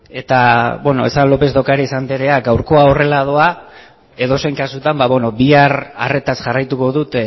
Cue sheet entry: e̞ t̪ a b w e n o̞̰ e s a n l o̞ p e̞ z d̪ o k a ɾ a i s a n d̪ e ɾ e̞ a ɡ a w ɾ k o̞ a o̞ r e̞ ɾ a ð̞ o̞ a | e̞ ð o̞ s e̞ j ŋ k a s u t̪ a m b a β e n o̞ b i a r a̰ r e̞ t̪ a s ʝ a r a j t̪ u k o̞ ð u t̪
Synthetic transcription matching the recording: e̞ t̪ a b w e n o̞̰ e s a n l o̞ p e̞ z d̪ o k a ɾ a i s a n d̪ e ɾ e̞ a ɡ a w ɾ k o̞ a o̞ r e̞ l a ð̞ o̞ a | e̞ ð o̞ s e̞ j ŋ k a s u t̪ a m b a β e n o̞ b i a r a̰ r e̞ t̪ a s ʝ a r a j t̪ u k o̞ ð u t̪